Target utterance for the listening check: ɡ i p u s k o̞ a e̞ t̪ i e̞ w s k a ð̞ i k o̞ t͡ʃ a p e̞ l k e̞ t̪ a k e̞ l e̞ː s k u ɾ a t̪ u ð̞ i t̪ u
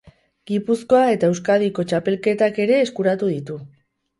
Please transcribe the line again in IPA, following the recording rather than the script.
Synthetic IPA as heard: ɡ i p u s k o̞ a e̞ t̪ a e̞ w s k a ð̞ i k o̞ t͡ʃ a p e̞ l k e̞ t̪ a k e̞ ɾ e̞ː s k u ɾ a t̪ u ð̞ i t̪ u